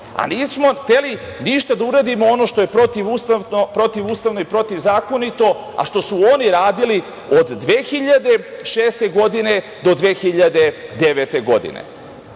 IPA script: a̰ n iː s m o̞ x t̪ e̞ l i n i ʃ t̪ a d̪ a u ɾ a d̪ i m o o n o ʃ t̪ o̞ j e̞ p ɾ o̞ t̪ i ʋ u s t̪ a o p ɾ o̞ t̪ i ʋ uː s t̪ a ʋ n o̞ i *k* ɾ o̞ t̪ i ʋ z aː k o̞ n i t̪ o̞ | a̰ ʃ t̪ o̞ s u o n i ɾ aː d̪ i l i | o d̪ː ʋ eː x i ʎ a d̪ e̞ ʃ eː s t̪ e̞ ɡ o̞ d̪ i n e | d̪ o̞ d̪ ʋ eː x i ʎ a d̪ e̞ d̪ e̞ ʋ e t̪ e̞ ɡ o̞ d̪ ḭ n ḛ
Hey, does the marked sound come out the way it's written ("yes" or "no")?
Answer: no